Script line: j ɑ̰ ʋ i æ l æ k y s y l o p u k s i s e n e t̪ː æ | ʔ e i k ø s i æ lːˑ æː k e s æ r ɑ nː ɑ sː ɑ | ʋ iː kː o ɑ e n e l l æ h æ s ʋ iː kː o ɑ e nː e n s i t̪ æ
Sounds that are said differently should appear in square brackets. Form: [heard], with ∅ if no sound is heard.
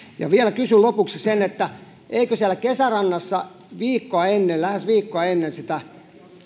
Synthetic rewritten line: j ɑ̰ ʋ i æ l æ k y s y l o p u k s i s e n e t̪ː æ | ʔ e i k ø s i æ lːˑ [æ] k e s æ r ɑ nː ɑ sː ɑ | ʋ iː kː o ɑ e [nː] e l l æ h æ s ʋ iː kː o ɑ e nː e n s i t̪ æ